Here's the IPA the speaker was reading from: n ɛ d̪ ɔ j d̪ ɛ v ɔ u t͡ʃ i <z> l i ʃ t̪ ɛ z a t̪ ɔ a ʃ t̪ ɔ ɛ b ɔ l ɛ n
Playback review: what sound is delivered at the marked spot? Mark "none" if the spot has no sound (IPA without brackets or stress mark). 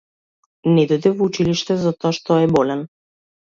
none